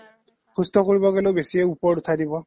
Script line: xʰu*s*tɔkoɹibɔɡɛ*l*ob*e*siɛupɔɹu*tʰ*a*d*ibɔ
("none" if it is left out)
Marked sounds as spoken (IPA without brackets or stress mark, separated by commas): s, l, e, tʰ, d